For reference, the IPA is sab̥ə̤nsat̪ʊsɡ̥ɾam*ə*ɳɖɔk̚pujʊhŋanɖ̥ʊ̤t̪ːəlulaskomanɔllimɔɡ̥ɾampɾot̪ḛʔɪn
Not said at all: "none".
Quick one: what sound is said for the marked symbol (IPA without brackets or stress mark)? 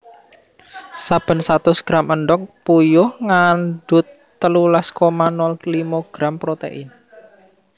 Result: ə